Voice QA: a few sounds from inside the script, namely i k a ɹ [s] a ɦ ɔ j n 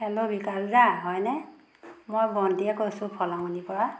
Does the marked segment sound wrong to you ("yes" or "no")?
yes